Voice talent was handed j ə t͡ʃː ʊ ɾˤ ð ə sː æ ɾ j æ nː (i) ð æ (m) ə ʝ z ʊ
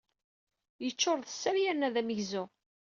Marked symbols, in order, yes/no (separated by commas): no, yes